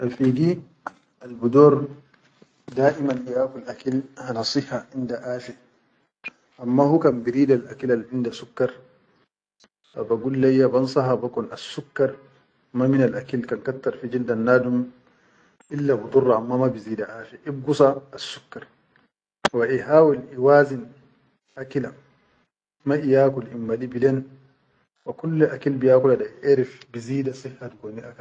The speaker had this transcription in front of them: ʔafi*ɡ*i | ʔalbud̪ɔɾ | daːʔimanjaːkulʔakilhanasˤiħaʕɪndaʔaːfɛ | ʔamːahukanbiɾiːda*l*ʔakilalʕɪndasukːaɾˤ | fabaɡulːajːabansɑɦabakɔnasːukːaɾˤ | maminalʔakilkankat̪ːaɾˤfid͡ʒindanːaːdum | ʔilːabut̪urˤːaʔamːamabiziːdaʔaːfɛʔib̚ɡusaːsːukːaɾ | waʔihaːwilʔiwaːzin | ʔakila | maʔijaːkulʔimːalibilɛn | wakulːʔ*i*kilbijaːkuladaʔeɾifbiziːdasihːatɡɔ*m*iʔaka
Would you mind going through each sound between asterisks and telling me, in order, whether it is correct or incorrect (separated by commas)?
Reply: correct, correct, incorrect, incorrect